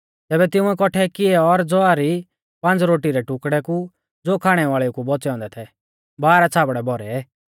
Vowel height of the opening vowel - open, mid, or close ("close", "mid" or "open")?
mid